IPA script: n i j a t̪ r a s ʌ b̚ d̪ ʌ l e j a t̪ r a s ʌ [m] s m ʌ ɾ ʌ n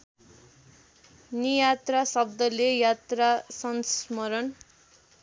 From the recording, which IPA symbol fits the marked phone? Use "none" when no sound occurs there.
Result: n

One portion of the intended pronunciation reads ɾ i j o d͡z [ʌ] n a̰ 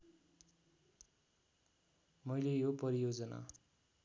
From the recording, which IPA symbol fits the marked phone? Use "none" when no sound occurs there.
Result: ʌ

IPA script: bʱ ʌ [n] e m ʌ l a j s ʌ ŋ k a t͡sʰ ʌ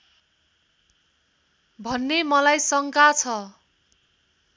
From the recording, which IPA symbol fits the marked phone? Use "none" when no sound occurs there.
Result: nː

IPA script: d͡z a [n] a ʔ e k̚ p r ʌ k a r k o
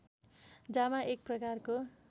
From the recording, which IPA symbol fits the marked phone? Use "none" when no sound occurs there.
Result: m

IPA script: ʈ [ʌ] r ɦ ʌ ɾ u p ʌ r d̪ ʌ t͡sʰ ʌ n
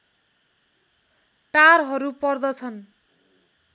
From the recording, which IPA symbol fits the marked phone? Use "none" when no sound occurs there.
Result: a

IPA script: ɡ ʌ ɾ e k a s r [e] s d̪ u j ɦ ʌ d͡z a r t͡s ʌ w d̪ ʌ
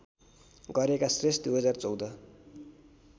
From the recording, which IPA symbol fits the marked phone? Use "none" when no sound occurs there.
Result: e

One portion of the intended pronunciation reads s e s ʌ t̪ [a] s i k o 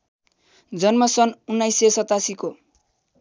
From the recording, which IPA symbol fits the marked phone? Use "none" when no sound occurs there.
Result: a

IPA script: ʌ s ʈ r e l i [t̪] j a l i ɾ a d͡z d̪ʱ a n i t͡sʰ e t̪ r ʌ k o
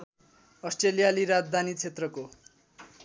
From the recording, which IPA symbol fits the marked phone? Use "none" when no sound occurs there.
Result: none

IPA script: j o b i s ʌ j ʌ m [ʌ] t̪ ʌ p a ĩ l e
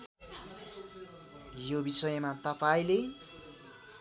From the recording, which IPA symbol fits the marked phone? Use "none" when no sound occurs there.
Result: a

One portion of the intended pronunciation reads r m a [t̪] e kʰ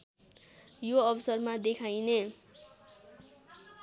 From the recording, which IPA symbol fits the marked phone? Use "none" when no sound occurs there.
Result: d̪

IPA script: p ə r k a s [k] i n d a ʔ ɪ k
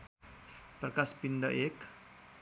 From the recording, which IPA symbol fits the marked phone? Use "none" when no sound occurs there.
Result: p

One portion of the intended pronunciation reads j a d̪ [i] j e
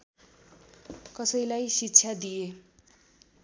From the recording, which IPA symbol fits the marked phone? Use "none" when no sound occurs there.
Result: i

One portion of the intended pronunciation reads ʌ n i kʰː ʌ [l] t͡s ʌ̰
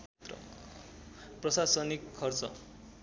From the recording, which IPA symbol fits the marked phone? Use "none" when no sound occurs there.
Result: r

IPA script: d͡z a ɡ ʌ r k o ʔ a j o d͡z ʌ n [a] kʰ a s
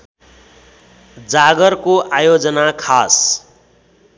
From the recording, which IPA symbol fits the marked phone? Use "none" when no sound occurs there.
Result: a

